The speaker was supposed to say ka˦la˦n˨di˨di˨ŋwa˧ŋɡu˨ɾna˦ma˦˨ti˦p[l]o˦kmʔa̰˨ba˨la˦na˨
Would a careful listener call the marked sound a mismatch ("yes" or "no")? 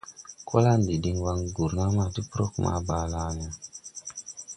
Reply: yes